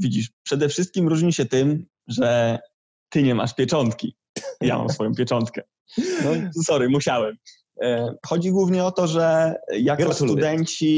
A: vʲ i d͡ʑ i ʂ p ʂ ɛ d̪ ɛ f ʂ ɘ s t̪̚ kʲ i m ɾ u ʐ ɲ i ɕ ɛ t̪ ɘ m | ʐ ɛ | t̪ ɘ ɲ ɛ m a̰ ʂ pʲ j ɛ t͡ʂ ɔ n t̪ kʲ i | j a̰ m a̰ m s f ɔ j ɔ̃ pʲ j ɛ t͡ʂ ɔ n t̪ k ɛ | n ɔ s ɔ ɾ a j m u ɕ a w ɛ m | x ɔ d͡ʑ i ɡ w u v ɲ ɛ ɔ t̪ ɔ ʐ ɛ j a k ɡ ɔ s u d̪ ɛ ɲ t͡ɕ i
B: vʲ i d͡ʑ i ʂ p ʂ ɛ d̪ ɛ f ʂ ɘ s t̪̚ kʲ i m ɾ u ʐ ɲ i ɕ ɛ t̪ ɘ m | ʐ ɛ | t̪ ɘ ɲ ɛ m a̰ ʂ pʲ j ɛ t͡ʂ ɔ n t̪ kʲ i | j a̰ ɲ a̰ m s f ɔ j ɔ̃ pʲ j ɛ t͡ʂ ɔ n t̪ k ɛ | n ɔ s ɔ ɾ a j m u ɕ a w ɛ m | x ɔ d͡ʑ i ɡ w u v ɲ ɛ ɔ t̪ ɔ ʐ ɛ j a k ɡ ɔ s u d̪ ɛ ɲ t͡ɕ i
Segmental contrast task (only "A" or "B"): A